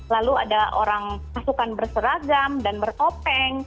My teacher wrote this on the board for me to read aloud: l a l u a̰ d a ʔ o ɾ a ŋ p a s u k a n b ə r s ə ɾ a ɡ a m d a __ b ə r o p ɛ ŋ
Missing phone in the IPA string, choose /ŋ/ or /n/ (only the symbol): n